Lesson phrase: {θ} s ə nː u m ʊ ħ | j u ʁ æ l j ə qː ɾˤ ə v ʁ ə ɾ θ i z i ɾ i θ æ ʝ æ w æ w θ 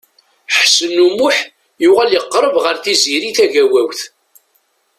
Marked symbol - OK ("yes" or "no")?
no